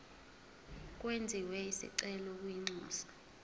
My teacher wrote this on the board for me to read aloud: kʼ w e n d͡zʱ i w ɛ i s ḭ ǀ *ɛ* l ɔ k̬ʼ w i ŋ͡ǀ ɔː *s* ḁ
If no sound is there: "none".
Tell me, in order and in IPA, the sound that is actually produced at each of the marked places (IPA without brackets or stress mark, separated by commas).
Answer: ɛ, s